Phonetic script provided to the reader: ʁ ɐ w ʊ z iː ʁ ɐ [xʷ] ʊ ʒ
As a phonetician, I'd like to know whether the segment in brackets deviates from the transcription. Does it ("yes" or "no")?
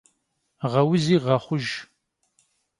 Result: yes